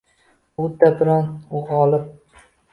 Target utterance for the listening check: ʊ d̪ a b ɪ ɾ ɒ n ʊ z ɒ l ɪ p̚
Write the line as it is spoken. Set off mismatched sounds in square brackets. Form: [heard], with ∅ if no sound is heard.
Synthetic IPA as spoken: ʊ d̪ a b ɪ ɾ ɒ n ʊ [ʁ] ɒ l ɪ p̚